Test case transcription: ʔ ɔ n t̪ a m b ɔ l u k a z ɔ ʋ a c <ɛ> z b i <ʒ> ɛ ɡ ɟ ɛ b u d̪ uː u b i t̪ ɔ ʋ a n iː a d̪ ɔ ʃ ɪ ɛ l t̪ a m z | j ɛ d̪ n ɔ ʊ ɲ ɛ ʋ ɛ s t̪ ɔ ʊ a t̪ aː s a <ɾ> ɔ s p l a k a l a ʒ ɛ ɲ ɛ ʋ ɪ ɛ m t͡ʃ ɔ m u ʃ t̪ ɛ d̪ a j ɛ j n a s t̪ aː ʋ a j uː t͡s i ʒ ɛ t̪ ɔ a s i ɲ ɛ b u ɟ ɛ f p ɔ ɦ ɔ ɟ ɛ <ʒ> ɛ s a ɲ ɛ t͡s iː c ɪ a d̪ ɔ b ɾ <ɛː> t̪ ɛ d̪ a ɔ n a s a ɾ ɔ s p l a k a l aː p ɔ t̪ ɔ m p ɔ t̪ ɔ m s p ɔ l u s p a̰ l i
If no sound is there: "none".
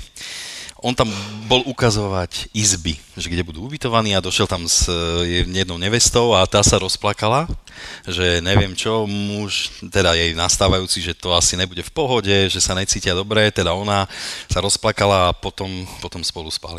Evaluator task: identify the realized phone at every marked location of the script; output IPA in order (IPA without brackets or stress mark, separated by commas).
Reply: i, ʒ, ɾ, ʒ, ɛ